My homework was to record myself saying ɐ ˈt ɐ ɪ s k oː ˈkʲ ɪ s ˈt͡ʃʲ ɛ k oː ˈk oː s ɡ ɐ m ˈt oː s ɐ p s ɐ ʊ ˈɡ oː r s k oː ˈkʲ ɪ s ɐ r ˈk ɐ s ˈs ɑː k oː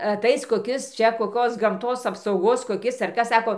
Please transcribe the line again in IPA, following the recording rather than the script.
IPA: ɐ ˈt ɐ ɪ s k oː ˈkʲ ɪ s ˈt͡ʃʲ ɛ k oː ˈk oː s ɡ ɐ m ˈt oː s ɐ p s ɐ ʊ ˈɡ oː s k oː ˈkʲ ɪ s ɐ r ˈk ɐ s ˈs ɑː k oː